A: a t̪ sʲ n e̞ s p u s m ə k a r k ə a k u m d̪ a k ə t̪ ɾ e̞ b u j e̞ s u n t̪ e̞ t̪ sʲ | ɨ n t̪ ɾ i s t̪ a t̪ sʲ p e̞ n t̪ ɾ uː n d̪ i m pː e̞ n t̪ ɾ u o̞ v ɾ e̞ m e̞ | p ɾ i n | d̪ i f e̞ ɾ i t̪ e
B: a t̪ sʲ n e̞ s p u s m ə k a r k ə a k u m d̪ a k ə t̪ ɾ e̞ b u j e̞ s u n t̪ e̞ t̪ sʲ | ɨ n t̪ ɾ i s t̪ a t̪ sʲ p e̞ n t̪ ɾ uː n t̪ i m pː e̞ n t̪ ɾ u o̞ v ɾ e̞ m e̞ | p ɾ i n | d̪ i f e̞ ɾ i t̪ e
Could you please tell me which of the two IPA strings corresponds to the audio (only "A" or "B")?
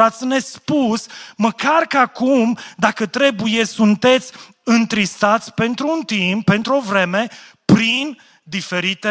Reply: B